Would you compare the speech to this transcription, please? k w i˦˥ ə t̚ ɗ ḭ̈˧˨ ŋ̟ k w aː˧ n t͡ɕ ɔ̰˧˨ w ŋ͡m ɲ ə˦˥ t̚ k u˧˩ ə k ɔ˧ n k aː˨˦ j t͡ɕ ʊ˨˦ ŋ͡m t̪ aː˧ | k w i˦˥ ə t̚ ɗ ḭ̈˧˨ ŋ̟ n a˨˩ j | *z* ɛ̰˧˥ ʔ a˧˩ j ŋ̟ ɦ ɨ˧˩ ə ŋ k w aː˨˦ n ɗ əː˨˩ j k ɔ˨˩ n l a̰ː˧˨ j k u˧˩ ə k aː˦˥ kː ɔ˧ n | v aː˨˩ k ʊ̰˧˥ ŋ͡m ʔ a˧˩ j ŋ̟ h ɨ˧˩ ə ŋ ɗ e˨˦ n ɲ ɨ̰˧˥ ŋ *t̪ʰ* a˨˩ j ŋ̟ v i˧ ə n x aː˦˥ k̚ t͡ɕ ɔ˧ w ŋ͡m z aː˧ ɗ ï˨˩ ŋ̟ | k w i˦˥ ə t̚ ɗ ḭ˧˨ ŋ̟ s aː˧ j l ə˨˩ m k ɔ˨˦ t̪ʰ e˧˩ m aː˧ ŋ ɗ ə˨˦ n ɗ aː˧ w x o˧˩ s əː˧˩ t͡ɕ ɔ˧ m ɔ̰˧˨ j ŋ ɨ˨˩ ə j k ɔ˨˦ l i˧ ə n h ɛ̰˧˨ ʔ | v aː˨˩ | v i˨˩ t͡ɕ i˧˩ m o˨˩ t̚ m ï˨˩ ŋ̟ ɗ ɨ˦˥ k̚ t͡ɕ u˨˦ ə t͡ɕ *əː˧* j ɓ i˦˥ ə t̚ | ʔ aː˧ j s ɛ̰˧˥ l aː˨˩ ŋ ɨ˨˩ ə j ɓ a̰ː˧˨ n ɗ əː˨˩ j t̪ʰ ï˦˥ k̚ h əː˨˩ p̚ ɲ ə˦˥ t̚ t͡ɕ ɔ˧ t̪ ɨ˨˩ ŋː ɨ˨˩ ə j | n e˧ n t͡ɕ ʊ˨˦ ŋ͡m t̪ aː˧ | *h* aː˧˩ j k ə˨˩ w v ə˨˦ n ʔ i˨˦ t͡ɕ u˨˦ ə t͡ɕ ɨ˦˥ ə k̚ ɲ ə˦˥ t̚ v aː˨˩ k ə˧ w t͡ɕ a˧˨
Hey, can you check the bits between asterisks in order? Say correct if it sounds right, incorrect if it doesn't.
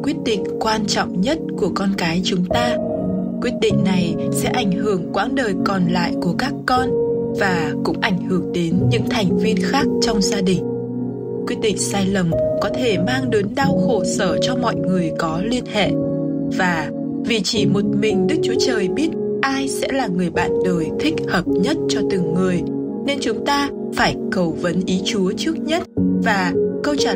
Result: incorrect: s, correct, incorrect: əː˨˩, incorrect: f

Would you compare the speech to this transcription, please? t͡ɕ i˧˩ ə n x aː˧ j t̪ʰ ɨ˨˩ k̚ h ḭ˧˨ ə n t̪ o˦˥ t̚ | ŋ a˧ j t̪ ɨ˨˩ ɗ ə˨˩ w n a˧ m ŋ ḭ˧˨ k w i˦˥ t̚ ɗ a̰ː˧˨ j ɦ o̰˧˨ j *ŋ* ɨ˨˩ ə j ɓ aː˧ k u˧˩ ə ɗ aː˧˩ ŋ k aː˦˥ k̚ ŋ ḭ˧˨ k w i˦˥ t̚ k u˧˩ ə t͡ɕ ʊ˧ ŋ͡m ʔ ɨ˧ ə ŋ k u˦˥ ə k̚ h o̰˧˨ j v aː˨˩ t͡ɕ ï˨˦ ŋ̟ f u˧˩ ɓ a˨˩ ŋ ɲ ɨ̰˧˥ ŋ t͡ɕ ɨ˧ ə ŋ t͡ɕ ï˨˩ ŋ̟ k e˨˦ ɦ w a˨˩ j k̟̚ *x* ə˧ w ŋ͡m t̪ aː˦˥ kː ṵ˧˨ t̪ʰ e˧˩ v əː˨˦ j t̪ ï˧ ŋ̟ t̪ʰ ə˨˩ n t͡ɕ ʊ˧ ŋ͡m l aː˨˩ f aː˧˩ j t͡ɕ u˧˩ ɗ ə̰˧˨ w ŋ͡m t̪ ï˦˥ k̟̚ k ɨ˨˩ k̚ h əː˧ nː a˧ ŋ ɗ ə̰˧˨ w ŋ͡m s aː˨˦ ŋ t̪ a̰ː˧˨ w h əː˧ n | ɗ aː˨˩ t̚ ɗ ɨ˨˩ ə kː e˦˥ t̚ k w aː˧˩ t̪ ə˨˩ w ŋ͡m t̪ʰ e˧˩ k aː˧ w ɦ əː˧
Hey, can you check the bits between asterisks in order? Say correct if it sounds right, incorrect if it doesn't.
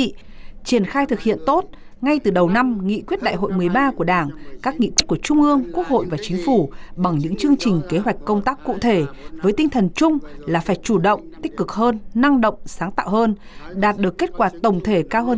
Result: incorrect: m, incorrect: k

